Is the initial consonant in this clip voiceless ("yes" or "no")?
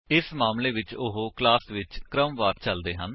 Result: yes